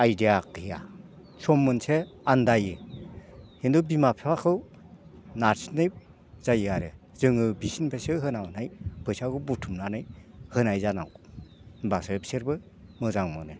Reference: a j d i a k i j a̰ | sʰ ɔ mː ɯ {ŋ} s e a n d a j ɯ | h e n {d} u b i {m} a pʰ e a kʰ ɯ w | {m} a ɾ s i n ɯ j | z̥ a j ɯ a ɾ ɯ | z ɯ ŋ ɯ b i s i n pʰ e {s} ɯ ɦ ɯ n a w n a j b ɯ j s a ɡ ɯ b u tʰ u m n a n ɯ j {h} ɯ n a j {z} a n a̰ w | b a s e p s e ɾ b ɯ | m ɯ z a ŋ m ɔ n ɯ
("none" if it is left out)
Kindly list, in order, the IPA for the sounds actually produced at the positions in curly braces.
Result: n, d, m, n, s, h, z

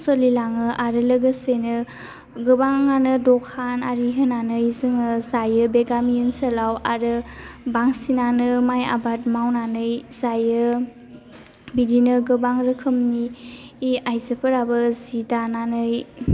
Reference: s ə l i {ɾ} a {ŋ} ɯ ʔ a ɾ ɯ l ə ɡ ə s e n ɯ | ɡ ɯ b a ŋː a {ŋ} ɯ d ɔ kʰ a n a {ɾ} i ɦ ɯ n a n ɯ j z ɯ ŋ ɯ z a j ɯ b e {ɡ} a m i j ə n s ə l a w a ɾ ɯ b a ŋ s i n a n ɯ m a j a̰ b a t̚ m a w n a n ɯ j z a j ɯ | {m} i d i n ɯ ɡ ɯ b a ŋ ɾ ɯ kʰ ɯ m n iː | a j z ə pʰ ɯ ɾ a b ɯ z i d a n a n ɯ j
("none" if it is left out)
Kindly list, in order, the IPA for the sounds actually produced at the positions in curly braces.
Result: l, ŋ, n, ɾ, ɡ, b

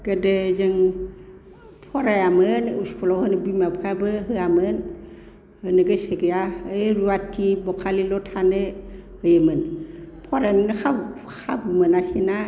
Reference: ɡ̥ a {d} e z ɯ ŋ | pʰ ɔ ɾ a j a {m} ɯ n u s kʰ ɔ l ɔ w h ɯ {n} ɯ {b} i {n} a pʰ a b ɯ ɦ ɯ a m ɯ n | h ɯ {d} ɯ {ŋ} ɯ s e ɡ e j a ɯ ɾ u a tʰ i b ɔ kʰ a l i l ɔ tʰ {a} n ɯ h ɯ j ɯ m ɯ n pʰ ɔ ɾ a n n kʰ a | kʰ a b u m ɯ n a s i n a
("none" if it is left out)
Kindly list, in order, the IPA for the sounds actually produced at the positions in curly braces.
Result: d, m, n, b, m, n, ɡ, a

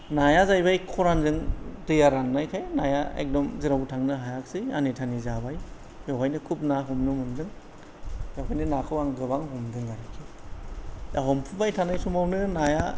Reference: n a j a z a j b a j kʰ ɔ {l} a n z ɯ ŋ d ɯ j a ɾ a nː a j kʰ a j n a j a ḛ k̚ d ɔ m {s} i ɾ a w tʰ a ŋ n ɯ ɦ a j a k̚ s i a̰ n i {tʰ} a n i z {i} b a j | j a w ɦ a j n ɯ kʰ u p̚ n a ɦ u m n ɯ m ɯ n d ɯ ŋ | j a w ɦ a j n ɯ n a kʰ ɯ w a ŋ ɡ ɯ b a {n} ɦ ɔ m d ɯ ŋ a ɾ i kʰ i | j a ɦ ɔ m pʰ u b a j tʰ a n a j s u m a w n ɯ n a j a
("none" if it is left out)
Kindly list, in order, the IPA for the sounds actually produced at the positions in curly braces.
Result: ɾ, z, tʰ, a, ŋ

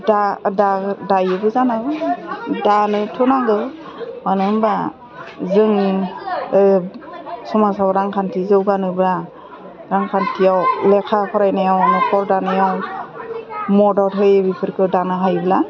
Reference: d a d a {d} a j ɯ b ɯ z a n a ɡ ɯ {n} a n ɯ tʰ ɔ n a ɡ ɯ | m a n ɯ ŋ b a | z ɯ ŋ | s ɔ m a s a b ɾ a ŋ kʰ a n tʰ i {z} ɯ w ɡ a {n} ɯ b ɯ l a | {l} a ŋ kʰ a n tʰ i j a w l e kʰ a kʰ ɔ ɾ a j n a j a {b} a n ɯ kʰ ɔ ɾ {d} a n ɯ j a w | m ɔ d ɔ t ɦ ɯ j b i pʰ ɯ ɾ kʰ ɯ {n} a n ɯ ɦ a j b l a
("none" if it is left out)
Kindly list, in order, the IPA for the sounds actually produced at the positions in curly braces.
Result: d, d, z, n, ɾ, w, d, d

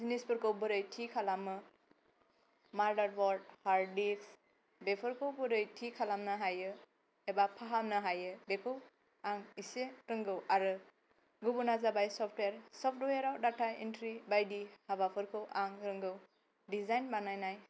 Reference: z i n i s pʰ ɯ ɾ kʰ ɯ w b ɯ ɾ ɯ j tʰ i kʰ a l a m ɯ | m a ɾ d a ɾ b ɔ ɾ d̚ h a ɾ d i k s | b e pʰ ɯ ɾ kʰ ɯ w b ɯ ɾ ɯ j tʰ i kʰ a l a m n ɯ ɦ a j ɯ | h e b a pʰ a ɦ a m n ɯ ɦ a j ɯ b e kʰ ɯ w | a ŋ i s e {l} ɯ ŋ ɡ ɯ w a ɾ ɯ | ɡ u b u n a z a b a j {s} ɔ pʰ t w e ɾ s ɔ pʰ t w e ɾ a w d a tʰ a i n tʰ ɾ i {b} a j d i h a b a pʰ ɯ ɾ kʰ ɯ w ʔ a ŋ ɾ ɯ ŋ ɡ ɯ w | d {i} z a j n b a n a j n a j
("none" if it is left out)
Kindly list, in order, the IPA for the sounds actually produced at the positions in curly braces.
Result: ɾ, s, b, i

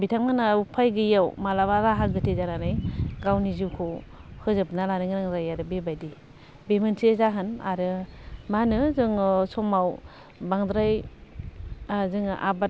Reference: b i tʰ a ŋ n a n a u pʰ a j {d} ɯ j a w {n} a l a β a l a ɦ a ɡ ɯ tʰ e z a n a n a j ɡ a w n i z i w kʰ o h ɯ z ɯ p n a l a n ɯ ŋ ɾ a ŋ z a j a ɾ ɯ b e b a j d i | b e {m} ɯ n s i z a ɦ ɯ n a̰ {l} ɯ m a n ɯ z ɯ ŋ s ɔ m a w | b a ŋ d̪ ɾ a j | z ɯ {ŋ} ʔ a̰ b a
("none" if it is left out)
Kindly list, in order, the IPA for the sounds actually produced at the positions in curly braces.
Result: ɡ, m, m, ɾ, ŋ

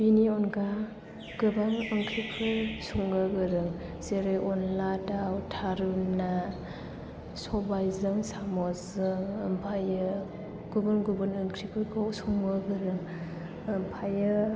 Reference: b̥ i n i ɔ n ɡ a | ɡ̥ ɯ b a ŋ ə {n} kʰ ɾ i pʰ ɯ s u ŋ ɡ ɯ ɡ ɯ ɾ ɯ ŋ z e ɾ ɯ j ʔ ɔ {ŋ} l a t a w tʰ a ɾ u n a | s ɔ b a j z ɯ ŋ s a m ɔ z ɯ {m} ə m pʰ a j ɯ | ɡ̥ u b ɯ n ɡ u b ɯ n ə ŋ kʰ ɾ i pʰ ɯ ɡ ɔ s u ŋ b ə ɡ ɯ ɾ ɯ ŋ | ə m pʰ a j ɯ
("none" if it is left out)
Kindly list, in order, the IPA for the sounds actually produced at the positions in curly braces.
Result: ŋ, n, ŋ

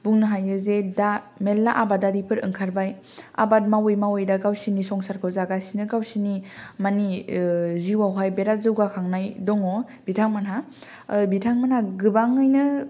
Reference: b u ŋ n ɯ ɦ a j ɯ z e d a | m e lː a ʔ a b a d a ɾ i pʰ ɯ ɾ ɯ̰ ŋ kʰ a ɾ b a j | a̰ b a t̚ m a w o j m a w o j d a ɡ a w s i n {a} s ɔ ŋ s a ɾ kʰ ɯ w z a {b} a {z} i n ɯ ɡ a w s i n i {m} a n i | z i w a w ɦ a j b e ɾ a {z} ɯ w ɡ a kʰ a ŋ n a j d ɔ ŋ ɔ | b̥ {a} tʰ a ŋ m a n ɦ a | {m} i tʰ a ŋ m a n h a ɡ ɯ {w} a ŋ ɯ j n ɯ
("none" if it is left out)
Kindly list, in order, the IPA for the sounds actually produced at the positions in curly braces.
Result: i, ɡ, s, m, z, i, b, b

